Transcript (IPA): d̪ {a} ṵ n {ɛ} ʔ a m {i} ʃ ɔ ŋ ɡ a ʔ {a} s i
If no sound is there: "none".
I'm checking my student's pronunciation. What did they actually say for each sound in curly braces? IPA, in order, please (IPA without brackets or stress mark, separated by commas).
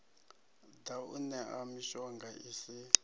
a, ɛ, i, i